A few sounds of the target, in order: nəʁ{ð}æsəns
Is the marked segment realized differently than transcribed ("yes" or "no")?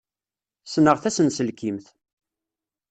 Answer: yes